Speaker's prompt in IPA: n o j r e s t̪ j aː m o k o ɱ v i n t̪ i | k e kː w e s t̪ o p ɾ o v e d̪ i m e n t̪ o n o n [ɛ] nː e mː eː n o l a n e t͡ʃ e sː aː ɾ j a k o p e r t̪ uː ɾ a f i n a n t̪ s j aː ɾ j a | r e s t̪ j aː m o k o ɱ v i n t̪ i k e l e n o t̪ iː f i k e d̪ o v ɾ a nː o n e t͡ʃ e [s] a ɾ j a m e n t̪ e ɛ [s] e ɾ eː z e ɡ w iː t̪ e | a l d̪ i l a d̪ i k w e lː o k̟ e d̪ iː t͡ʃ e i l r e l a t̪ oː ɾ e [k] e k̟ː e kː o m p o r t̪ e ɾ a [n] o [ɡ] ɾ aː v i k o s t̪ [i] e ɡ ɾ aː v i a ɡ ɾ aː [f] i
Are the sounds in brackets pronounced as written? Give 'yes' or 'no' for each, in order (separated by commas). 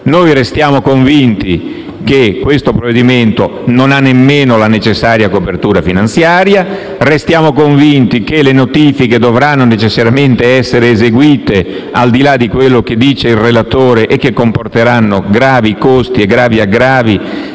no, no, no, no, no, yes, yes, no